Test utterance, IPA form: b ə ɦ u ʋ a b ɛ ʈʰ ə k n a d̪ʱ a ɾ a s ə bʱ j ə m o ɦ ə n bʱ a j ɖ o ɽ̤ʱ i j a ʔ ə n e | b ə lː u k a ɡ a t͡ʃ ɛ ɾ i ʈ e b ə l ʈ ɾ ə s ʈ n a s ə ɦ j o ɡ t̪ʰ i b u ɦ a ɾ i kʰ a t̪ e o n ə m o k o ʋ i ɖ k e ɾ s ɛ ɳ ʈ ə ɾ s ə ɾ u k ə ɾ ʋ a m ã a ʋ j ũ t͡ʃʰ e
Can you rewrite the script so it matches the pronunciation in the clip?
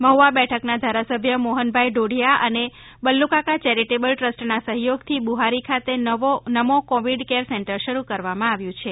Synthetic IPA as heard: m ə ɦ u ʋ a b ɛ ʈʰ ə k n a d̪ʱ a ɾ a s ə bʱ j ə m o ɦ ə n bʱ a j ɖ o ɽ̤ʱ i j a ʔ ə n e | b ə lː u k a k a t͡ʃ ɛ ɾ i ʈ e b ə l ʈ ɾ ə s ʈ n a s ə ɦ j o ɡ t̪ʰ i b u ɦ a ɾ i kʰ a t̪ e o n ə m o k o ʋ i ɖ k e ɾ s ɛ ɳ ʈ ə ɾ ʃ ə ɾ u k ə ɾ ʋ a m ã a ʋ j ũ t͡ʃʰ e